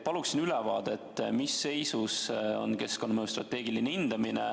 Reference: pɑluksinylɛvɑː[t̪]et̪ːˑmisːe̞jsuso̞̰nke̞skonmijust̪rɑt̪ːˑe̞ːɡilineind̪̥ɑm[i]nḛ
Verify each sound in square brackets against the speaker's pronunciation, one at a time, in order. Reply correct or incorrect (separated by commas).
incorrect, correct